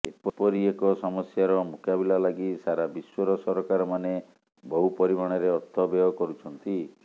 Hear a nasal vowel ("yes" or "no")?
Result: no